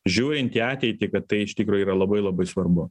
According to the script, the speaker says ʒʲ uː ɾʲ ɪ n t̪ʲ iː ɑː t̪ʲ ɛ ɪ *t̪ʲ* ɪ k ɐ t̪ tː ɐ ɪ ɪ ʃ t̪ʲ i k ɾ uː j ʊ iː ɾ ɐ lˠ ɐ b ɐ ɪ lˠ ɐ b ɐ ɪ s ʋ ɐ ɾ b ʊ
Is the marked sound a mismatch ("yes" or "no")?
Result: no